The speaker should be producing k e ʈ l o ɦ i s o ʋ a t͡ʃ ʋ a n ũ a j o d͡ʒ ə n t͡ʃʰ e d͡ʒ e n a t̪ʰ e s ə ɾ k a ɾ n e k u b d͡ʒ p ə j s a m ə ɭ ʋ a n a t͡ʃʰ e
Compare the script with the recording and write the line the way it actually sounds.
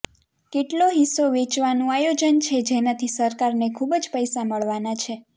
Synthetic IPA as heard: k e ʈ l o ɦ i s o ʋ e t͡ʃ ʋ a n ũ a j o d͡ʒ ə n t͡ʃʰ e d͡ʒ e n a t̪ʰ i s ə ɾ k a ɾ n e kʰ u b d͡ʒ p ə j s a m ə ɭ ʋ a n a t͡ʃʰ e